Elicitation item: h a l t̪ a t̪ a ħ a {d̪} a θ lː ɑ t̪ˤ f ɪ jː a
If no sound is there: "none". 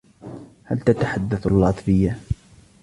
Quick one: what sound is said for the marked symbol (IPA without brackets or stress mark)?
d̪ː